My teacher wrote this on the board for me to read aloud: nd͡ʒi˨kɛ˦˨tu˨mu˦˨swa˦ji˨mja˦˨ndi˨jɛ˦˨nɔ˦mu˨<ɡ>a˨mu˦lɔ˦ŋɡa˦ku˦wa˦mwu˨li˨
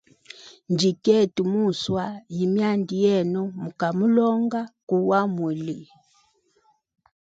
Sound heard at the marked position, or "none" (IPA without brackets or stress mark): k